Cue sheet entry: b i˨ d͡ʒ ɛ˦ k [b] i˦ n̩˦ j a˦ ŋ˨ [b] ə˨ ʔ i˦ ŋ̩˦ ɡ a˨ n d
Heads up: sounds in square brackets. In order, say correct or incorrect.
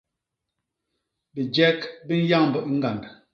correct, correct

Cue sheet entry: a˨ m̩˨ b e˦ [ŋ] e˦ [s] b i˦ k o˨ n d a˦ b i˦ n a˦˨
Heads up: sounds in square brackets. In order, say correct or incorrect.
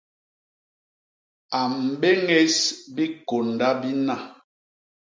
correct, correct

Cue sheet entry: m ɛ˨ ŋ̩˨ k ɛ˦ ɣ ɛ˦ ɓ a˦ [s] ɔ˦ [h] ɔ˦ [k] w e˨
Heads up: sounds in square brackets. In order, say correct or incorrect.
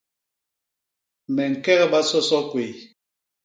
correct, incorrect: s, correct

